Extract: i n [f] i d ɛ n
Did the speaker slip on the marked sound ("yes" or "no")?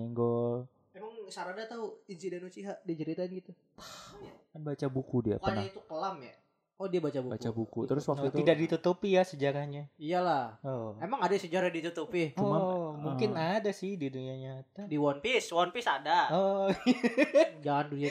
yes